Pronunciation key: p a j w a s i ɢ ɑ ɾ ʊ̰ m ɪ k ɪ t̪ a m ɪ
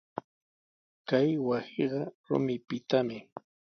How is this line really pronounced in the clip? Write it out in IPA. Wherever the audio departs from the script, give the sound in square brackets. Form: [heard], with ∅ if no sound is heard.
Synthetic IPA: [k] a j w a s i ɢ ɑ ɾ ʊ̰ m ɪ [p] ɪ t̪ a m ɪ